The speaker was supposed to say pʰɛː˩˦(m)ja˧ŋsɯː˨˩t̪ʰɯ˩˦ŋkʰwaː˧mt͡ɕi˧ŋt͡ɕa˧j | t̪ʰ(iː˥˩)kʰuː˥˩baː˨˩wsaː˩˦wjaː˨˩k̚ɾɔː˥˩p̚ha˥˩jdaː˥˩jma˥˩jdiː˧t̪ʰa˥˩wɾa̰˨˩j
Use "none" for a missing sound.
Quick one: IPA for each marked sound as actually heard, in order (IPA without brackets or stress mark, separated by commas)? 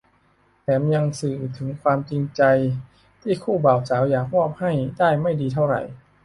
m, iː˥˩